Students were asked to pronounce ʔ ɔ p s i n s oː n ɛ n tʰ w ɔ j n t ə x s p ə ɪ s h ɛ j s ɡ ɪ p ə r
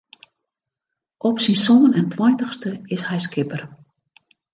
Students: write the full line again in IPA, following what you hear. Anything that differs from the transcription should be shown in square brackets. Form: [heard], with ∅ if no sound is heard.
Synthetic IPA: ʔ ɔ p s i n s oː n ɛ n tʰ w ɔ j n t ə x s [t] ə ɪ s h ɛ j s [k] ɪ p ə r